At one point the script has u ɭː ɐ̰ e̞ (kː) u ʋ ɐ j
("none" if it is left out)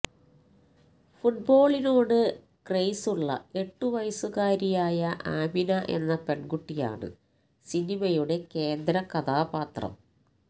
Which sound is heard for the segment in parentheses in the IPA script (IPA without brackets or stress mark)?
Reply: ʈː